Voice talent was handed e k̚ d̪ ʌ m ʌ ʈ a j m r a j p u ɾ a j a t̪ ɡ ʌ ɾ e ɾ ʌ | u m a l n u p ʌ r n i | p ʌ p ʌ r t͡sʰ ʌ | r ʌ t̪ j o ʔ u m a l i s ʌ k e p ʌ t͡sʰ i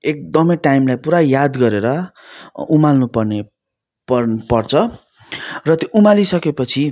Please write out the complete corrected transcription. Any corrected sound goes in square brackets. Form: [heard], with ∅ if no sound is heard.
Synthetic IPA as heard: e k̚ d̪ ʌ m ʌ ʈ a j m [l] a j p u ɾ a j a [d̪] ɡ ʌ ɾ e ɾ ʌ | u m a l n u p ʌ r n [e] | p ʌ p ʌ r t͡sʰ ʌ | r ʌ t̪ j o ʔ u m a l i s ʌ k e p ʌ t͡sʰ i